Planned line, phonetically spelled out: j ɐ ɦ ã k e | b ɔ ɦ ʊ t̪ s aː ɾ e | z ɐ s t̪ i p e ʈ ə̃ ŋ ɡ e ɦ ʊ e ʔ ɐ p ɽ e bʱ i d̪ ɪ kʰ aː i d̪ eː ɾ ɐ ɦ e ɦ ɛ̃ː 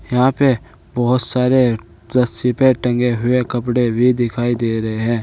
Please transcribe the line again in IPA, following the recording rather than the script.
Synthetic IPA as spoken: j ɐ ɦ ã p e | b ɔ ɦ ʊ t̪ s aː ɾ e | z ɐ s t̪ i p e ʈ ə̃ ŋ ɡ e ɦ ʊ e k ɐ p ɽ e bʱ i d̪ ɪ kʰ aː i d̪ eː ɾ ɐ ɦ e ɦ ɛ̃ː